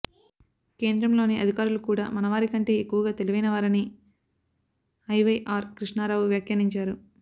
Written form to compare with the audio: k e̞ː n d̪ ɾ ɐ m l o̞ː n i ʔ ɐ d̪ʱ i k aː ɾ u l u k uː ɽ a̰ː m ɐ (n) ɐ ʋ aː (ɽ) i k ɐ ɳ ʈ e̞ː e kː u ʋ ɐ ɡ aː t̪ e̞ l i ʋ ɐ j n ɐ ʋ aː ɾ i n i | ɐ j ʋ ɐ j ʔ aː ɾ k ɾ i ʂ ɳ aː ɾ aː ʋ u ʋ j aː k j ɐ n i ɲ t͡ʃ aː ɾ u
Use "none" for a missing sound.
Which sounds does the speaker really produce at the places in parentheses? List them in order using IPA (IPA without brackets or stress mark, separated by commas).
n, ɾ